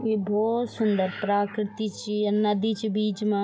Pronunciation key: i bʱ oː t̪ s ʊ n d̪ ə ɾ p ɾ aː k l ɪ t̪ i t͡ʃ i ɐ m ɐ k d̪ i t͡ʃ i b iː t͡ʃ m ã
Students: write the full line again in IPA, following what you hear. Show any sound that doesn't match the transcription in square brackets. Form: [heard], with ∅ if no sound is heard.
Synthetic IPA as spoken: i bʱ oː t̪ s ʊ n d̪ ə ɾ p ɾ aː k [ɾ] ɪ t̪ i t͡ʃ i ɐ [n] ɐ [∅] d̪ i t͡ʃ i b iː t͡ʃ m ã